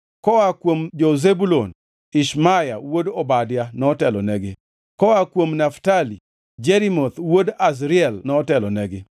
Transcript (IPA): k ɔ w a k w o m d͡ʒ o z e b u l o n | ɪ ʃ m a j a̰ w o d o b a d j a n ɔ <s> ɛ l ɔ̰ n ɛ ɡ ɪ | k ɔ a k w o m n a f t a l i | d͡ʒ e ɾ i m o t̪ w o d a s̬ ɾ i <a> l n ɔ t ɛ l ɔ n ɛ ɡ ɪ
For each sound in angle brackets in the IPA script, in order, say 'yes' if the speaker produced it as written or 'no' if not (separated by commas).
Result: no, no